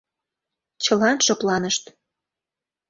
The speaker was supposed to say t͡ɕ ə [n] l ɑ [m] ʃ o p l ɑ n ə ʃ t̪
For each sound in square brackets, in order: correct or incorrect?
incorrect: none, incorrect: n

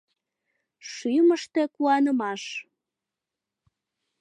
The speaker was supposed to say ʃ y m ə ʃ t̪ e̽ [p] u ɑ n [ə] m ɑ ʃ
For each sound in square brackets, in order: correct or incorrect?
incorrect: k, correct

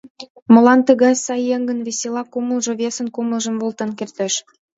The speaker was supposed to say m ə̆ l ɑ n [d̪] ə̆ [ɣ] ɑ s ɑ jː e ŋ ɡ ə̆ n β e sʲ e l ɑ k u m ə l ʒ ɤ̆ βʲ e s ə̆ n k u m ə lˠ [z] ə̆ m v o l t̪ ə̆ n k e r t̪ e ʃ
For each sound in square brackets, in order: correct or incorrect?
incorrect: t̪, correct, incorrect: ʒ

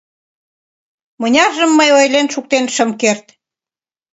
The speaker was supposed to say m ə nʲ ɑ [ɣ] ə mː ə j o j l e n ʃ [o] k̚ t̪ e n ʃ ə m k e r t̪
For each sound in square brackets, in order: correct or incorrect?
incorrect: ʒ, incorrect: u

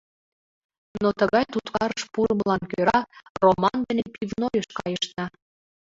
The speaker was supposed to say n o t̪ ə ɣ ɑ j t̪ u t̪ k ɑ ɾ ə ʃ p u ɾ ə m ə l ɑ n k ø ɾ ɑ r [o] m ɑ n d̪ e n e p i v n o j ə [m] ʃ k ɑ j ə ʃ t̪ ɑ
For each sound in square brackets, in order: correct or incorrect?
correct, incorrect: none

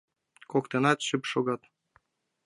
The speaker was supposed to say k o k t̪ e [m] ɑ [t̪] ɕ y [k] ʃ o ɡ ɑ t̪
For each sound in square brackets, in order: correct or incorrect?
incorrect: n, correct, incorrect: p

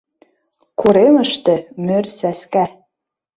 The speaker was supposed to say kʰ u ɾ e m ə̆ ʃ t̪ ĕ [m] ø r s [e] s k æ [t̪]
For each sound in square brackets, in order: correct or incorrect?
correct, incorrect: æ, incorrect: none

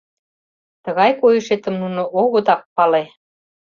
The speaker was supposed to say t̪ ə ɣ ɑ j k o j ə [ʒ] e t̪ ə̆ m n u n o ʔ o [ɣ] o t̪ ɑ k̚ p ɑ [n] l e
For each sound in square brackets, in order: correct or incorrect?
incorrect: ʃ, correct, incorrect: none

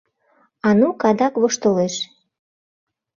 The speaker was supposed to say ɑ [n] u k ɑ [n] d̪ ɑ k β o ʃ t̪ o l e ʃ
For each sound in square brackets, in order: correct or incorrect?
correct, incorrect: none

